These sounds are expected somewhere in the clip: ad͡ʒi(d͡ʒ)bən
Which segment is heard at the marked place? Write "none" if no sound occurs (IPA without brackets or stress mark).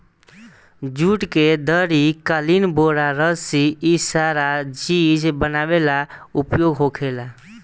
d͡ʒ